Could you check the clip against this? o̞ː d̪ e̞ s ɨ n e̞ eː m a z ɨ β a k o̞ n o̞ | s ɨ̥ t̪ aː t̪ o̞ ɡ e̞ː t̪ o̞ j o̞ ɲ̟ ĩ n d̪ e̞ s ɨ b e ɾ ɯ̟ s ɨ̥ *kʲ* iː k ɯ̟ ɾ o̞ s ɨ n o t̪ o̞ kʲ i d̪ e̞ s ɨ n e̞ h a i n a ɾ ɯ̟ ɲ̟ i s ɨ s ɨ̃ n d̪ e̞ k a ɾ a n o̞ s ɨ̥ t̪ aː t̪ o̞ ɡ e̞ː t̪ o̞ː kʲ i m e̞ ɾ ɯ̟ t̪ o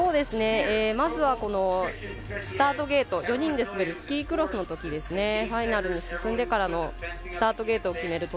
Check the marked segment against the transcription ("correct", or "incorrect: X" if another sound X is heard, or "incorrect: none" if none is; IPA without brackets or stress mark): correct